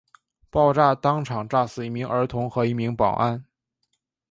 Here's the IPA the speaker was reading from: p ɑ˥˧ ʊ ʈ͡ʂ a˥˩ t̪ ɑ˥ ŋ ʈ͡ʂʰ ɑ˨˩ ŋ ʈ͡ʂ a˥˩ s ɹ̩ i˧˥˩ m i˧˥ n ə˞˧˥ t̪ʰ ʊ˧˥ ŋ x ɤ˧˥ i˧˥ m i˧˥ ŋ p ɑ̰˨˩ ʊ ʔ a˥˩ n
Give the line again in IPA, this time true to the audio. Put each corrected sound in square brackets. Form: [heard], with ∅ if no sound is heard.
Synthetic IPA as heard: p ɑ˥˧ ʊ ʈ͡ʂ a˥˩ t̪ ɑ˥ ŋ ʈ͡ʂʰ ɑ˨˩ ŋ ʈ͡ʂ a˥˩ s ɹ̩ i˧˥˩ m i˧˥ [ŋ] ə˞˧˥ t̪ʰ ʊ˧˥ ŋ x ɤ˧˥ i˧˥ m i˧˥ ŋ p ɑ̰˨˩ ʊ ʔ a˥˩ n